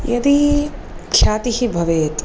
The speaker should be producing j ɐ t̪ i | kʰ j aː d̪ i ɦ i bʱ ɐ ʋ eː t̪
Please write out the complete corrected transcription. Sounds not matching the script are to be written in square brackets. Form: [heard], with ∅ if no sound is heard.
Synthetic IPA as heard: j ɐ [d̪] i | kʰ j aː [t̪] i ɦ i bʱ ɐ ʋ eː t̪